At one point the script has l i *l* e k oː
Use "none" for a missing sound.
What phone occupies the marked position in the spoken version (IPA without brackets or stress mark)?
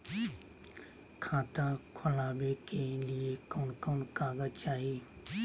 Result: none